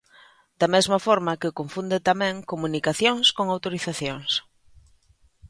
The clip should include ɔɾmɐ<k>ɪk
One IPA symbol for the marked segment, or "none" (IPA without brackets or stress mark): k